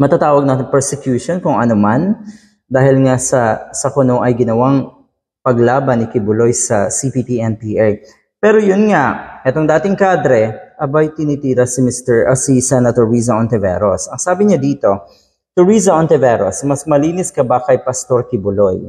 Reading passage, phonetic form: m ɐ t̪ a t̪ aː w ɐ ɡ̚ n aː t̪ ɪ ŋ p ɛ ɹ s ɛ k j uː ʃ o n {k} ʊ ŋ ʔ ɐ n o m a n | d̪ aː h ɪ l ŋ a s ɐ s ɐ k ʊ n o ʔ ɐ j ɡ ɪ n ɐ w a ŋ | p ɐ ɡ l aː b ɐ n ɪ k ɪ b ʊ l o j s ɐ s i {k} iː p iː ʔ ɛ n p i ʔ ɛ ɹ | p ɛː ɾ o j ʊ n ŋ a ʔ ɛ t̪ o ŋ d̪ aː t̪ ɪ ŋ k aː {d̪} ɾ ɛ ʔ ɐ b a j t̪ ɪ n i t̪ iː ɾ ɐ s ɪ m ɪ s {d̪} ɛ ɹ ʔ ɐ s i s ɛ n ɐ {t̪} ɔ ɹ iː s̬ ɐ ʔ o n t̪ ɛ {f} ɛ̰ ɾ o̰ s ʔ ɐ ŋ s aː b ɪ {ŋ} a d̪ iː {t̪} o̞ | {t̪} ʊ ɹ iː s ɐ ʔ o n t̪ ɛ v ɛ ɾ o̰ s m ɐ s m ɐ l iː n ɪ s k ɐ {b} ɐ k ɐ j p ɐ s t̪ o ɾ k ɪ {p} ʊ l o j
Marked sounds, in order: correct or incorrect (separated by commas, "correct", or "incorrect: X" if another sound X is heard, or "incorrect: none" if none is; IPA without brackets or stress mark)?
correct, incorrect: p, correct, incorrect: t̪, correct, incorrect: v, incorrect: ɲ, correct, correct, correct, incorrect: b